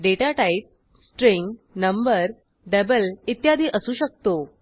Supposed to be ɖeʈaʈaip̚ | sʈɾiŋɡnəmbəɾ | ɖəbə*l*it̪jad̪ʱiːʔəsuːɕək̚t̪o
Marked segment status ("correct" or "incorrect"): correct